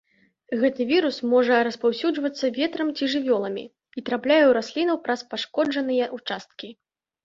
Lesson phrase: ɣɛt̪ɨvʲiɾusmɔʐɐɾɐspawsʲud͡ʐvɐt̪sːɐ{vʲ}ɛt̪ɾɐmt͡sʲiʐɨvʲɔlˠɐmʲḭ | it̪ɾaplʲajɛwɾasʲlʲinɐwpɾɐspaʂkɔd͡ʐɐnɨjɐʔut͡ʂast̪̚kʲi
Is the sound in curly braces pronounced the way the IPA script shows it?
yes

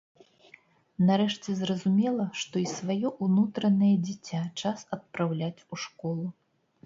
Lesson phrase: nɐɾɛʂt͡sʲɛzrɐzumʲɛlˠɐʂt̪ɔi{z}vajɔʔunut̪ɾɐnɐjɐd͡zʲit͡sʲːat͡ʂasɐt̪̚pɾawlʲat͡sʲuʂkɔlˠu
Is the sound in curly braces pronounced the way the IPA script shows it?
no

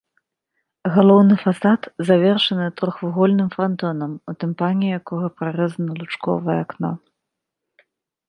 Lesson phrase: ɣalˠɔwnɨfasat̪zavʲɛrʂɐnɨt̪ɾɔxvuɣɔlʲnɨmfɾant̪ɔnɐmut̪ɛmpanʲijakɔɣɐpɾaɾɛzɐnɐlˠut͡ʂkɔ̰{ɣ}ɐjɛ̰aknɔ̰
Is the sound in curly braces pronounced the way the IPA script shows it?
no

